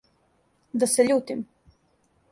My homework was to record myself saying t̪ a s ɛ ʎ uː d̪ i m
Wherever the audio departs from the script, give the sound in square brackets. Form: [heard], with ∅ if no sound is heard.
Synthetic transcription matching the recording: [d̪] a s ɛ ʎ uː [t̪] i m